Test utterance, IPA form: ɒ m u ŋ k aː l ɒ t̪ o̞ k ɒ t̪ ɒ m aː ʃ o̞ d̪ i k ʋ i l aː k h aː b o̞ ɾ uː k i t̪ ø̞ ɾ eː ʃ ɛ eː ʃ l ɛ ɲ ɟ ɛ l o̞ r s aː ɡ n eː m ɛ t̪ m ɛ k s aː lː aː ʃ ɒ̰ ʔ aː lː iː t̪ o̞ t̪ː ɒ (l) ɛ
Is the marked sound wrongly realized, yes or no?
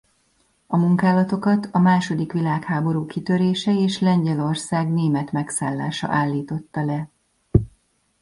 no